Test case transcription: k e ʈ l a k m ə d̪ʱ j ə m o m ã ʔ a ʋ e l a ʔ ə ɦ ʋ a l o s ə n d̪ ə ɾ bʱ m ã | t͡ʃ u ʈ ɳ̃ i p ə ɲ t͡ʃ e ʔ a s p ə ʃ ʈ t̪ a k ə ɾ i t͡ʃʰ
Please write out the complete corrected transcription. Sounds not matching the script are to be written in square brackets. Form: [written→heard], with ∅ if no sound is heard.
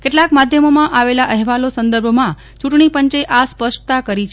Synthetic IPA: k e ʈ l a k m [ə→a] d̪ʱ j ə m o m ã ʔ a ʋ e l a ʔ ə ɦ ʋ a l o s ə n d̪ ə ɾ bʱ m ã | t͡ʃ u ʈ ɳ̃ i p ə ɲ t͡ʃ e ʔ a s p ə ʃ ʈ t̪ a k ə ɾ i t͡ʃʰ

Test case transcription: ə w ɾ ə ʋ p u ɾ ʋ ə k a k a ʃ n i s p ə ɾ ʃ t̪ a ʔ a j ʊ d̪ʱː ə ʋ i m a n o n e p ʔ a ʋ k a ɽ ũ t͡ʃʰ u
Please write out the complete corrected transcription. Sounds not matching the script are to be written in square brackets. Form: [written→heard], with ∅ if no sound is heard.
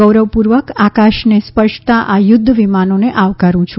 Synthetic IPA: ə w ɾ ə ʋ p u ɾ ʋ ə k a k a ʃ n [i→e] s p ə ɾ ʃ t̪ a ʔ a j ʊ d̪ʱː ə ʋ i m a n o n e [p→∅] ʔ a ʋ k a [ɽ→ɾ] ũ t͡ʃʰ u

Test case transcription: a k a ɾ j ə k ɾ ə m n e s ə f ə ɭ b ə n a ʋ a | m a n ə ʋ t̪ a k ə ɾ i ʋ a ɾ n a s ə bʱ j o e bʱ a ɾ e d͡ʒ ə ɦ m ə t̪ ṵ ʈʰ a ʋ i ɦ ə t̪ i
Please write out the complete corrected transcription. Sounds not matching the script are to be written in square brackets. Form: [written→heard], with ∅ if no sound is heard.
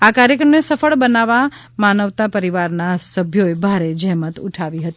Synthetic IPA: a k a ɾ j ə k ɾ ə m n e s ə f ə ɭ b ə n a ʋ a | m a n ə ʋ t̪ a [k→p] ə ɾ i ʋ a ɾ n a s ə bʱ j o e bʱ a ɾ e d͡ʒ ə ɦ m ə t̪ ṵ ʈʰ a ʋ i ɦ ə t̪ i

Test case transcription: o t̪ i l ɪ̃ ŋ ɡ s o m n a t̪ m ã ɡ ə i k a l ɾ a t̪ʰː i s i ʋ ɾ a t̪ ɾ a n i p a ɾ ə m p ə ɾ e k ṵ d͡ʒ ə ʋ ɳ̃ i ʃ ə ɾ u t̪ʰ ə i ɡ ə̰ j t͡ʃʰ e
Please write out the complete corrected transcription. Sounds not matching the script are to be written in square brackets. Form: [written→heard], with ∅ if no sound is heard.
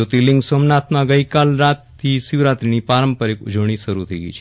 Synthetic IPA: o t̪ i l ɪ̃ ŋ ɡ s o m n a t̪ m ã ɡ ə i k a l ɾ a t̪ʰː i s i ʋ ɾ a t̪ ɾ [a→i] n i p a ɾ ə m p ə ɾ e k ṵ d͡ʒ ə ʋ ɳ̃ i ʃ ə ɾ u t̪ʰ ə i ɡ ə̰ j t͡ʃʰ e

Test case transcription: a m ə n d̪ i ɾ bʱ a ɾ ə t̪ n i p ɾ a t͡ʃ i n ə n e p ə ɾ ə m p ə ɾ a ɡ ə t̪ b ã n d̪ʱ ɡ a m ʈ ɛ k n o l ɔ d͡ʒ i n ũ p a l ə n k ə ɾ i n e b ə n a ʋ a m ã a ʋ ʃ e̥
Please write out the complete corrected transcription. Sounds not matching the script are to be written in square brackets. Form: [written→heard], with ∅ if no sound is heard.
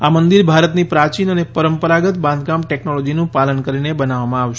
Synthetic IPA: a m ə n d̪ i ɾ bʱ a ɾ ə t̪ n i p ɾ a t͡ʃ i n ə n e p ə ɾ ə m p ə ɾ a ɡ ə t̪ b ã n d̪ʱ ɡ a m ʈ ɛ k n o l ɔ d͡ʒ i n ũ p a l ə n k ə ɾ i n e b ə n a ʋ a m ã a ʋ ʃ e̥

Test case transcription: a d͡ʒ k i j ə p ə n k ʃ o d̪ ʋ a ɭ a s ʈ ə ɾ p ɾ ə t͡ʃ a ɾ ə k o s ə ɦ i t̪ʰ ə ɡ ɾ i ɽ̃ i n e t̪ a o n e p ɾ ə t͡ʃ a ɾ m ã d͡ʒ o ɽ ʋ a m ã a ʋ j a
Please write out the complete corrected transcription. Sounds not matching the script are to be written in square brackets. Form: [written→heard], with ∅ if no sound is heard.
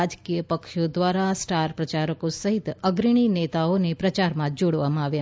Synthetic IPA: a d͡ʒ k i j ə p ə [n→∅] k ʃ o d̪ ʋ a [ɭ→ɾ] a s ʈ [ə→a] ɾ p ɾ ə t͡ʃ a ɾ ə k o s ə ɦ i [t̪ʰ→t̪] ə ɡ ɾ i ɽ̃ i n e t̪ a o n e p ɾ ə t͡ʃ a ɾ m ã d͡ʒ o ɽ ʋ a m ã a ʋ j a

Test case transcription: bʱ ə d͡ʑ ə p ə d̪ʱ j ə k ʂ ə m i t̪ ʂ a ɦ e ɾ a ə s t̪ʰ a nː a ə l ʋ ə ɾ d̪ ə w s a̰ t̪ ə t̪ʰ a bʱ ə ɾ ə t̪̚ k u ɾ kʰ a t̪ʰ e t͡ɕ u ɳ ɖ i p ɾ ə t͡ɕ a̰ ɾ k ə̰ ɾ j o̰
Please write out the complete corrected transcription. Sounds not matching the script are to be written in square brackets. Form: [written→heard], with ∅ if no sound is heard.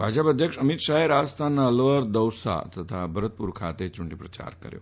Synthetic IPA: bʱ [ə→a] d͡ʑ ə p ə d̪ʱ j ə k ʂ ə m i t̪ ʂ a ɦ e ɾ a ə s t̪ʰ a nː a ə l ʋ ə ɾ d̪ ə w s a̰ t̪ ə t̪ʰ a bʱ ə ɾ ə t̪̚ [k→p] u ɾ kʰ a [t̪ʰ→t̪] e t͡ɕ u ɳ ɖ i p ɾ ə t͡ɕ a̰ ɾ k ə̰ ɾ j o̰

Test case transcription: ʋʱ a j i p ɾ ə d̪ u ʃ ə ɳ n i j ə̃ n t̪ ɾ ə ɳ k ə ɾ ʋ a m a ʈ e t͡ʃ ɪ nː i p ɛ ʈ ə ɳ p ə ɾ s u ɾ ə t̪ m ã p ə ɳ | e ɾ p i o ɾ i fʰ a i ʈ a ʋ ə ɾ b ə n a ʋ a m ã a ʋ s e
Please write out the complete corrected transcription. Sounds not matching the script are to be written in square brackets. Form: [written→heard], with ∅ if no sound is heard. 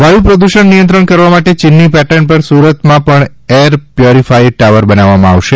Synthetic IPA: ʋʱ a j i p ɾ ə d̪ u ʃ ə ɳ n i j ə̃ n t̪ ɾ ə ɳ k ə ɾ ʋ a m a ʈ e t͡ʃ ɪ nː i p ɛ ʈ ə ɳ p ə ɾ s u ɾ ə t̪ m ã p ə ɳ | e ɾ p [i→j] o ɾ i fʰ a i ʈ a ʋ ə ɾ b ə n a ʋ a m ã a ʋ [s→ʃ] e

